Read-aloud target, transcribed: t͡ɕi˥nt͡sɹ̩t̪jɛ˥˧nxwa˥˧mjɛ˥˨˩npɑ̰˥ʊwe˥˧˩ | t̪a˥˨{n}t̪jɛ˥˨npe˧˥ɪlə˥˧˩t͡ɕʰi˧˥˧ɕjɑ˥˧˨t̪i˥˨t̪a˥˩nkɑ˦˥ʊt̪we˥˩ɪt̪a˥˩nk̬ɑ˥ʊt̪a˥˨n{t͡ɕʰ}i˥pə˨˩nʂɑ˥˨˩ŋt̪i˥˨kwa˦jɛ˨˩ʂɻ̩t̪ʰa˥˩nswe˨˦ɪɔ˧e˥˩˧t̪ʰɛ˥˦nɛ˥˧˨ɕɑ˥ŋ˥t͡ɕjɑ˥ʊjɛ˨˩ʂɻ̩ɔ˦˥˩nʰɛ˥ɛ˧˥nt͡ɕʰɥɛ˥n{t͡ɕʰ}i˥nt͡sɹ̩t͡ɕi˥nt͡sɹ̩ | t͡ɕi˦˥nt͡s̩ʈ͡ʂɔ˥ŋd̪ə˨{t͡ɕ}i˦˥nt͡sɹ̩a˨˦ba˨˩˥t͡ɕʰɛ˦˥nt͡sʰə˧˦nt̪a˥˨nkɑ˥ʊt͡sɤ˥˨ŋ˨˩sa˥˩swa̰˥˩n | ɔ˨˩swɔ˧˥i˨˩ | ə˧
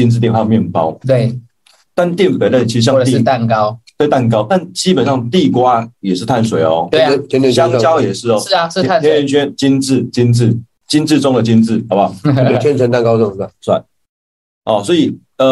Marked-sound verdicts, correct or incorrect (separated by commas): correct, incorrect, incorrect, correct